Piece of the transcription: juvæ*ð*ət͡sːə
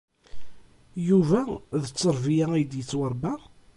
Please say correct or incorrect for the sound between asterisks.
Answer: correct